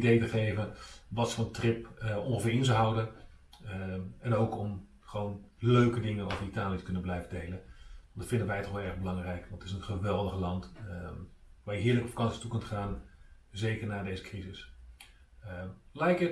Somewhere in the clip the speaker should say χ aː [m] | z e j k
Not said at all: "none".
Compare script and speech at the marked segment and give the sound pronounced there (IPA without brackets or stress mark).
n